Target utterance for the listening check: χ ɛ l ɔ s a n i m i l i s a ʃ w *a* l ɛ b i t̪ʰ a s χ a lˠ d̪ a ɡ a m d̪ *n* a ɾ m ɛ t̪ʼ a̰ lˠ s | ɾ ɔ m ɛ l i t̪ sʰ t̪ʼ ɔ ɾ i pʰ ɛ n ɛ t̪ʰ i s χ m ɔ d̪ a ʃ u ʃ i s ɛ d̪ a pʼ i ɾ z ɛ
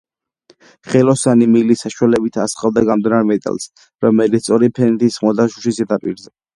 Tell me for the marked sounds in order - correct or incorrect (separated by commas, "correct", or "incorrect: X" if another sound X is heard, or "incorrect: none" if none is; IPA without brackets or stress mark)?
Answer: correct, correct